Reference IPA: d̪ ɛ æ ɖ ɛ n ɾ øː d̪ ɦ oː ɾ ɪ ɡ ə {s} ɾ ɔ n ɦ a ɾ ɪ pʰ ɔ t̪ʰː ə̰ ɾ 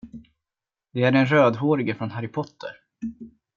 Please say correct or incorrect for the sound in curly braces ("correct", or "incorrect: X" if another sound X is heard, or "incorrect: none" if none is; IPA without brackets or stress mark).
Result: incorrect: f